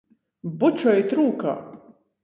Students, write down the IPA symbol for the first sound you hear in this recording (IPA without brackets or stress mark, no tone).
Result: b